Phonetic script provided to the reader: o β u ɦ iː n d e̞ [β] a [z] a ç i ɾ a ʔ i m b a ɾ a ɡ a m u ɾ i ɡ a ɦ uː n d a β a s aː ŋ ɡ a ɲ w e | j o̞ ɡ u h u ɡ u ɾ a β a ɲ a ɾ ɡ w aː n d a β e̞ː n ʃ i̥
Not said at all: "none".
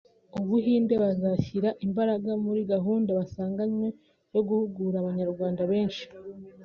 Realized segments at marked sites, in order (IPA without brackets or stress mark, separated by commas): β, z